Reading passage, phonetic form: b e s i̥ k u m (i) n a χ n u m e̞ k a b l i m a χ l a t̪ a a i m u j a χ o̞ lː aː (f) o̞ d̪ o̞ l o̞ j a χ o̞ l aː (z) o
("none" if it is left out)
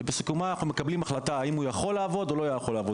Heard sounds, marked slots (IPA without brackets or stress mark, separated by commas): a, v, v